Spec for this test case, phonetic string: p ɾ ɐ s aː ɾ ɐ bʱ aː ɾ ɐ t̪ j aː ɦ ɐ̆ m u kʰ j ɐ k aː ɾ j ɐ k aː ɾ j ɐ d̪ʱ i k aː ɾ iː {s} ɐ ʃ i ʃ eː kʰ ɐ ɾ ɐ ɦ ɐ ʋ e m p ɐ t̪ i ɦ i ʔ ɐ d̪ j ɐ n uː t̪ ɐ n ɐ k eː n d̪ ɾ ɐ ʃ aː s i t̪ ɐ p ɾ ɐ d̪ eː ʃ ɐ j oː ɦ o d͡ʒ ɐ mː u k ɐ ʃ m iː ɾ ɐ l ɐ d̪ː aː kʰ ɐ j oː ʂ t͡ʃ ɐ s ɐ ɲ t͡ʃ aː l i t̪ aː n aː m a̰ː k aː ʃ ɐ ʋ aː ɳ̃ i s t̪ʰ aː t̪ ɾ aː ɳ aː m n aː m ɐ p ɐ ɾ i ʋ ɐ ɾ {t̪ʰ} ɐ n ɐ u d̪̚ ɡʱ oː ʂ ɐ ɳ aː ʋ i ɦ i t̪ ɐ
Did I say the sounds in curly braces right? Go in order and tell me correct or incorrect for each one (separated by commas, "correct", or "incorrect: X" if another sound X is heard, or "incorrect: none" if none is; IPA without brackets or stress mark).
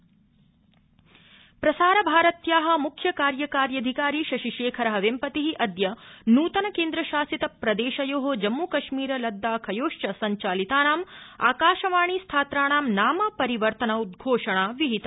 incorrect: ʃ, incorrect: t̪